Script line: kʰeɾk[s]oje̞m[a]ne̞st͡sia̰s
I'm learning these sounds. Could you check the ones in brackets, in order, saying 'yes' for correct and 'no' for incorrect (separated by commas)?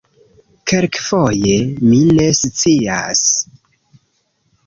no, no